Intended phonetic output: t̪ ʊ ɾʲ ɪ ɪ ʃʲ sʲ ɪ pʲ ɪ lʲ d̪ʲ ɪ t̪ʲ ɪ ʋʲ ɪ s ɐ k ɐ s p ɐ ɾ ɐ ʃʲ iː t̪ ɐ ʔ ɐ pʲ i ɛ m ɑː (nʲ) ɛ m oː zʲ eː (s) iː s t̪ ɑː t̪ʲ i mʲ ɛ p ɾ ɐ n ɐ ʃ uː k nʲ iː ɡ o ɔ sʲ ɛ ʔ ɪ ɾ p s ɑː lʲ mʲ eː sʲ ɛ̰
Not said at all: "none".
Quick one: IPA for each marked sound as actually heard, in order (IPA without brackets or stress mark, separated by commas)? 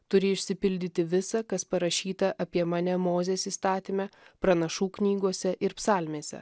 nʲ, s